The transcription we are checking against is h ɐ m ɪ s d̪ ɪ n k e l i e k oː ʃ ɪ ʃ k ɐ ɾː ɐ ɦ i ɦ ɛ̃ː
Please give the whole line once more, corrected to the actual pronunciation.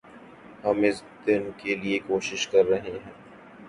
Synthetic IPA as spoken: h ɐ m ɪ s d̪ ɪ n k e l i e k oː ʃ ɪ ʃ k ɐ ɾː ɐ ɦ e ɦ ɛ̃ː